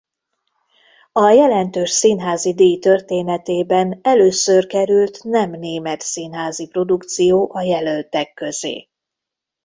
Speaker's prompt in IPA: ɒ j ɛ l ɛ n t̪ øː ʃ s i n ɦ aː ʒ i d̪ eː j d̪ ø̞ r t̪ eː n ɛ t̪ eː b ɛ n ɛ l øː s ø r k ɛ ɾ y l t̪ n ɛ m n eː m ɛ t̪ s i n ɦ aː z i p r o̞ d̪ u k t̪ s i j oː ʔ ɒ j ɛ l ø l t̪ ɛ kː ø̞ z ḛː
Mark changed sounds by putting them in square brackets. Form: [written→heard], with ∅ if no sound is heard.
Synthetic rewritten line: ɒ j ɛ l ɛ n t̪ øː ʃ s i n ɦ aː [ʒ→z] i d̪ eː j [d̪→t̪] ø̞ r t̪ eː n ɛ t̪ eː b ɛ n ɛ l øː s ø r k ɛ ɾ y l t̪ n ɛ m n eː m ɛ t̪ s i n ɦ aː z i p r o̞ d̪ u k t̪ s i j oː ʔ ɒ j ɛ l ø l t̪ ɛ kː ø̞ z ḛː

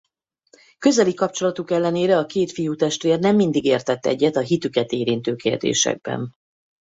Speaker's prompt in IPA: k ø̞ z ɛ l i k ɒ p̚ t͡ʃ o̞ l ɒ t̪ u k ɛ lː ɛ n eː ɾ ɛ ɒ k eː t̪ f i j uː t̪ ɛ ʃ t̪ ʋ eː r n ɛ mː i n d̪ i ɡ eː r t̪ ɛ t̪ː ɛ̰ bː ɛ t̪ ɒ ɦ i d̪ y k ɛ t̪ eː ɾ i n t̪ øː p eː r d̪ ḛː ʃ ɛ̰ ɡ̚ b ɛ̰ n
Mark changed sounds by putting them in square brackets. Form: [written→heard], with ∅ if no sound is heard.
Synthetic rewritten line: k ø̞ z ɛ l i k ɒ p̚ t͡ʃ o̞ l ɒ t̪ u k ɛ lː ɛ n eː ɾ ɛ ɒ k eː t̪ f i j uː t̪ ɛ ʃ t̪ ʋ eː r n ɛ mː i n d̪ i ɡ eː r t̪ ɛ t̪ː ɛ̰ [bː→ɟː] ɛ t̪ ɒ ɦ i [d̪→t̪] y k ɛ t̪ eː ɾ i n t̪ øː [p→k] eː r d̪ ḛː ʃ ɛ̰ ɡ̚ b ɛ̰ n

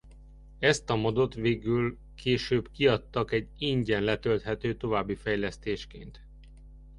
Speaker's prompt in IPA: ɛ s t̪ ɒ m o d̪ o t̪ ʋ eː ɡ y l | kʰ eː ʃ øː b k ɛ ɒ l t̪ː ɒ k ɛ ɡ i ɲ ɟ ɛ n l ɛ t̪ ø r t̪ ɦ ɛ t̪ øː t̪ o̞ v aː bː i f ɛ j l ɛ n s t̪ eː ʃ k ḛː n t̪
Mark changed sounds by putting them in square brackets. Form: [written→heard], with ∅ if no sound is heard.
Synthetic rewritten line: ɛ s t̪ ɒ m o d̪ o t̪ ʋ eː ɡ y l | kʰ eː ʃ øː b k [ɛ→i] ɒ [l→∅] t̪ː ɒ k ɛ [ɡ→ɟ] i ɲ ɟ ɛ n l ɛ t̪ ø [r→l] t̪ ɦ ɛ t̪ øː t̪ o̞ v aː bː i f ɛ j l ɛ [n→∅] s t̪ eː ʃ k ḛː n t̪

